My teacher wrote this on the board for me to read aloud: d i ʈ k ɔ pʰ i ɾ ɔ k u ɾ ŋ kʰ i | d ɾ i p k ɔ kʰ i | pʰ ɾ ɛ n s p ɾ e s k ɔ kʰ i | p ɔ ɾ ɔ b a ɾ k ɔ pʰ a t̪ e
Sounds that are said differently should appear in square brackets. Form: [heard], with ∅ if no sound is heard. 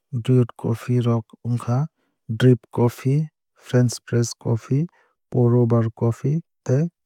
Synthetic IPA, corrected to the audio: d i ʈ k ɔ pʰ i ɾ ɔ k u [∅] ŋ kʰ [a] | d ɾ i p k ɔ [pʰ] i | pʰ ɾ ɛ n s p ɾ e s k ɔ [pʰ] i | p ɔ ɾ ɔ b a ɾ k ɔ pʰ [i] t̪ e